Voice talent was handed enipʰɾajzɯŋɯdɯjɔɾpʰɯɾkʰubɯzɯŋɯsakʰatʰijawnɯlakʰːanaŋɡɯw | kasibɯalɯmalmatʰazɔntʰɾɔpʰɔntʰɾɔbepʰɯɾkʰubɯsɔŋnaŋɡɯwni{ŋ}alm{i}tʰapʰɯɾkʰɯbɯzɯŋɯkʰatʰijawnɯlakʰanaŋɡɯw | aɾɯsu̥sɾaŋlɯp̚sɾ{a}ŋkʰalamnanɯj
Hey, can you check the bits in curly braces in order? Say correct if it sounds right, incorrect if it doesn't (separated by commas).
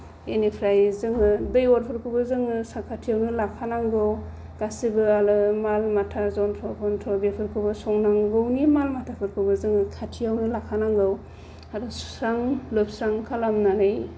incorrect, incorrect, correct